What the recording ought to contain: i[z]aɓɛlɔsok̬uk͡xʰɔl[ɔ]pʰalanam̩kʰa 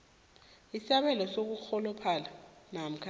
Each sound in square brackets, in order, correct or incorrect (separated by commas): incorrect, correct